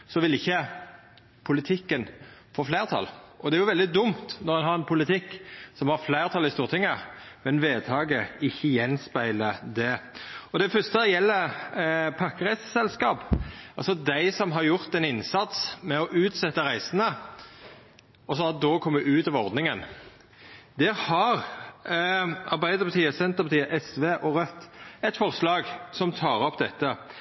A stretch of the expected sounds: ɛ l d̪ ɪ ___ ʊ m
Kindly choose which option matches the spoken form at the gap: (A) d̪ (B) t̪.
A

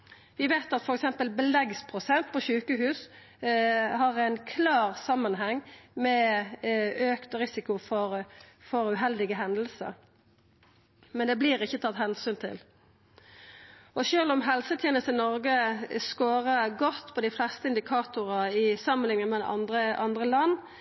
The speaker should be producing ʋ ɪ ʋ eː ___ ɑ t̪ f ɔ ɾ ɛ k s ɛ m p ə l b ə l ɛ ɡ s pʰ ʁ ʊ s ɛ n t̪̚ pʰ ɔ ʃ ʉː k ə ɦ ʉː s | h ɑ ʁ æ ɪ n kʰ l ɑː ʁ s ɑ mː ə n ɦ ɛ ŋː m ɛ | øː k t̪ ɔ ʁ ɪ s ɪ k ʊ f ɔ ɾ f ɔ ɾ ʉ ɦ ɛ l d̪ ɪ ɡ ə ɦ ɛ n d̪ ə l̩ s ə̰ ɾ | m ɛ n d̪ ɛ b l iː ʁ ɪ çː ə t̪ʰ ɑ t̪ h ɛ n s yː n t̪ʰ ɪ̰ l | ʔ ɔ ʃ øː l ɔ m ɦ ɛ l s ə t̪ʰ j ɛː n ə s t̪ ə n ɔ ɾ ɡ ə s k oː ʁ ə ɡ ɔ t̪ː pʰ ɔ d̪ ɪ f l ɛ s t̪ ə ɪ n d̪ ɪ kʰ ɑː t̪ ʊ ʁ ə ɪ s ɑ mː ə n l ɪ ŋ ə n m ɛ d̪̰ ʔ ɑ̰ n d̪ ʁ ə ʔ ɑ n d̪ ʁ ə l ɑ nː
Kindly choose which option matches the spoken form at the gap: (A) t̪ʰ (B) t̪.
B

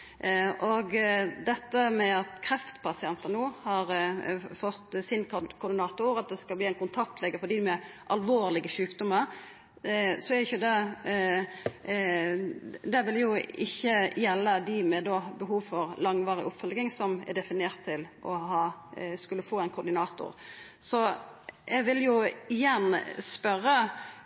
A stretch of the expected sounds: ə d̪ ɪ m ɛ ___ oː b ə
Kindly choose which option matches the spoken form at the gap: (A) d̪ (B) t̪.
A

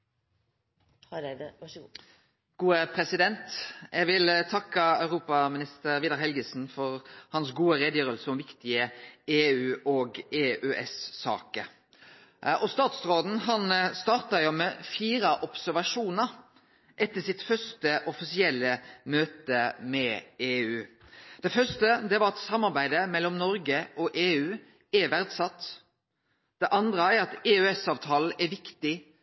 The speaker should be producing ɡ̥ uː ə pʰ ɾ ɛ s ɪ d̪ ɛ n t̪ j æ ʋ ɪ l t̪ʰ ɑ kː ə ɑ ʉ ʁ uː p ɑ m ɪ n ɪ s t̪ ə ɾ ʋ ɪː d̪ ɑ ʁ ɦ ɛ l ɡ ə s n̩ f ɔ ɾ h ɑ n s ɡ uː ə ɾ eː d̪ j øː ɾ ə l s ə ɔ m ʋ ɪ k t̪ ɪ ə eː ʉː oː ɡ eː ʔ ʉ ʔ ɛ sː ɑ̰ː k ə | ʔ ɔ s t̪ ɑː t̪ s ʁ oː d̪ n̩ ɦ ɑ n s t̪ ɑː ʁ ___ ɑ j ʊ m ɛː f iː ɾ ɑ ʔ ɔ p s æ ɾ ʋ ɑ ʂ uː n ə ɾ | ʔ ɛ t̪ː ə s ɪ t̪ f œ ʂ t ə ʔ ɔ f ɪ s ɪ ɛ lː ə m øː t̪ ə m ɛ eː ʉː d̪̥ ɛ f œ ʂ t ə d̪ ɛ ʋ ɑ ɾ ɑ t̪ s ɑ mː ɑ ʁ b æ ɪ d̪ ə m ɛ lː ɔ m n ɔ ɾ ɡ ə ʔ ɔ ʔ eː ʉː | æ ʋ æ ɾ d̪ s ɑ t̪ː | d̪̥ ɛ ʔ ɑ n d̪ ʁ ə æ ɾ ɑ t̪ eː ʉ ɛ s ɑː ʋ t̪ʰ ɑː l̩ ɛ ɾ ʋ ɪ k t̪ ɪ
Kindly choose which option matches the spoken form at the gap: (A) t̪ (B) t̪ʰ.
A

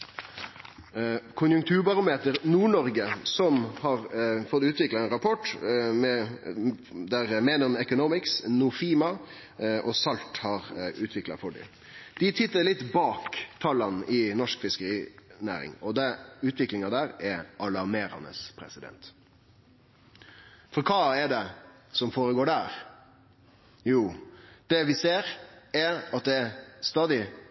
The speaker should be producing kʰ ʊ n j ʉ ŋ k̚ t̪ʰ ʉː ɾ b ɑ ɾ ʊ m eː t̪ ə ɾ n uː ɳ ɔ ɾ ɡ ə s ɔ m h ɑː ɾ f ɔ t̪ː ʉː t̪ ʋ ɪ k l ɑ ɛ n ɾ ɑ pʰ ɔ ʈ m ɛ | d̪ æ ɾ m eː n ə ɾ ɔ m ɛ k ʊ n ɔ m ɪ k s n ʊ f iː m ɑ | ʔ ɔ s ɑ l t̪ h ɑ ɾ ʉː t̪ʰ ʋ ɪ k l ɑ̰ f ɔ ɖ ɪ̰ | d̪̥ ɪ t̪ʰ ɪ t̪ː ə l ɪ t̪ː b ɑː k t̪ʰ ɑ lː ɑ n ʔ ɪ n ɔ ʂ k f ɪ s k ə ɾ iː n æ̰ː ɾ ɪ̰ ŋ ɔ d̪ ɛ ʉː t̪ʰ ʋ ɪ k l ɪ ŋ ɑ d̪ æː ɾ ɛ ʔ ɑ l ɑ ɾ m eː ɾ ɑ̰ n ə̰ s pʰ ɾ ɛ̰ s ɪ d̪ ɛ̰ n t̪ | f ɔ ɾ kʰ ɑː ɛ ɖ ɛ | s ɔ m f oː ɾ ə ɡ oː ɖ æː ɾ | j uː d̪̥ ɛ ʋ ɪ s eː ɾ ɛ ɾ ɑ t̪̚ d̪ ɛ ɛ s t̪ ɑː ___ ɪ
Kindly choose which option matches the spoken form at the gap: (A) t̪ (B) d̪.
B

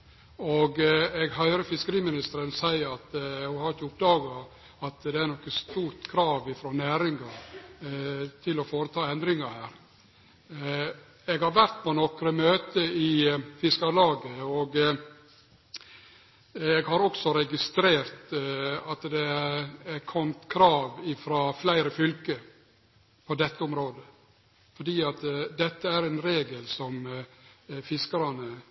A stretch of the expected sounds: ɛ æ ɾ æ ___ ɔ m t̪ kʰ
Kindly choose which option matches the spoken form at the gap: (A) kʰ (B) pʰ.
A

